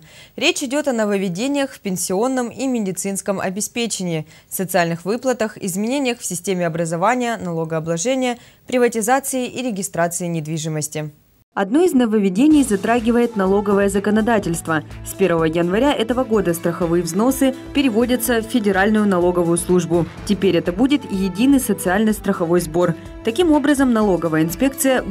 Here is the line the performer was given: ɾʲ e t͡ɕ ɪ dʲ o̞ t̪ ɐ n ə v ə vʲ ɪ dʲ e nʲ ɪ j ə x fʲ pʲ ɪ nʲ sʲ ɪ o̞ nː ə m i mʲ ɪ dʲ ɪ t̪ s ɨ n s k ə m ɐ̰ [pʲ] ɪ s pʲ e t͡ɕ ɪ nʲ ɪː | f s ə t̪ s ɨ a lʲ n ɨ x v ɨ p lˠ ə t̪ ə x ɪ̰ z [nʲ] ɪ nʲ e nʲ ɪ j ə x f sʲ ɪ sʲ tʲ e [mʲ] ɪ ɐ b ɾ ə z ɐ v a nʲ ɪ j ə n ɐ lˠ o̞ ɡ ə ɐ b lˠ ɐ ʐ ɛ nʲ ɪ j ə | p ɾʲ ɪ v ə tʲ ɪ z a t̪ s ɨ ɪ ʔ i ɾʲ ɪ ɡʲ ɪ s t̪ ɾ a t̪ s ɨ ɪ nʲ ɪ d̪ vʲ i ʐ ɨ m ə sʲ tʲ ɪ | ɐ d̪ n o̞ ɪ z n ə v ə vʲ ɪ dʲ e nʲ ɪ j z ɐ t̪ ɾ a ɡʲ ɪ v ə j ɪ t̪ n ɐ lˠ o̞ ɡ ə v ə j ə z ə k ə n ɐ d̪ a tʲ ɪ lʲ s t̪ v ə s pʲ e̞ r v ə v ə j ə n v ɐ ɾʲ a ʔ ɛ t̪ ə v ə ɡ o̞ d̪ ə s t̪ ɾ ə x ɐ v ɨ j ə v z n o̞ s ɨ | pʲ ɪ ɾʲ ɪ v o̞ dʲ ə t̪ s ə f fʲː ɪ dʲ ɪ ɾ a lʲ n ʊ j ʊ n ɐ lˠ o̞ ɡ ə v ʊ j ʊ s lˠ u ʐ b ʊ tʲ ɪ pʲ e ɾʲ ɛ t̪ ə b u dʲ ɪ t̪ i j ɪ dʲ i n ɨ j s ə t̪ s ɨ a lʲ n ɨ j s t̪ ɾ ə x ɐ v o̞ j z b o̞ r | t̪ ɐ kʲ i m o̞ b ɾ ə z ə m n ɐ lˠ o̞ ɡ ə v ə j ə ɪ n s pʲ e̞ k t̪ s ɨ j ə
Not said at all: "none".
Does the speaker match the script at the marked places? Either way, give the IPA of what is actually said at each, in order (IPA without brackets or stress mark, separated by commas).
bʲ, mʲ, mʲ